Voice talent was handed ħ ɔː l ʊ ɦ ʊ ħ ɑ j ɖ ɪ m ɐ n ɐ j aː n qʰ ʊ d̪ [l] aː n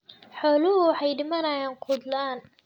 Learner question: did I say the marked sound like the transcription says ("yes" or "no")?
yes